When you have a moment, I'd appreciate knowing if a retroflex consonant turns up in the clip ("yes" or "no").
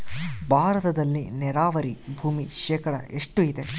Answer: yes